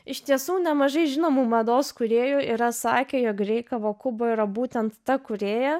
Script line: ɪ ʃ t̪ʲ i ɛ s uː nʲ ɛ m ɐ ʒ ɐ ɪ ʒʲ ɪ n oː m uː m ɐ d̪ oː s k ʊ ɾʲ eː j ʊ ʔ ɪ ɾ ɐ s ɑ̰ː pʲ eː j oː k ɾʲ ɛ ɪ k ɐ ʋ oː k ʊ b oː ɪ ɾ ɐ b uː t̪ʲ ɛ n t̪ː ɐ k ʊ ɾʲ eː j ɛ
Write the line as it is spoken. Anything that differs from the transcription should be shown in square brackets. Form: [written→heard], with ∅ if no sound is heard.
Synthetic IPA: ɪ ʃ t̪ʲ i ɛ s uː nʲ ɛ m ɐ ʒ ɐ ɪ ʒʲ ɪ n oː m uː m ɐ d̪ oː s k ʊ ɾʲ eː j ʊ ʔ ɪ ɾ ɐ s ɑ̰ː [pʲ→kʲ] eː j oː k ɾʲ ɛ ɪ k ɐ ʋ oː k ʊ b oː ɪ ɾ ɐ b uː t̪ʲ ɛ n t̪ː ɐ k ʊ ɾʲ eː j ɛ